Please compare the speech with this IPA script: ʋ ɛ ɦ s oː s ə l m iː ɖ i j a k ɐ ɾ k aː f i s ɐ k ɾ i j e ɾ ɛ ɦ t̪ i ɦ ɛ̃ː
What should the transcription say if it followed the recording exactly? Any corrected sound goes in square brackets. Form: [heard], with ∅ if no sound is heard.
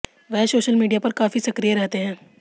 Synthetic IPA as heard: ʋ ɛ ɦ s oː [ʃ] ə l m iː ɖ i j a [p] ɐ ɾ k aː f i s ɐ k ɾ i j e ɾ ɛ ɦ t̪ [e] ɦ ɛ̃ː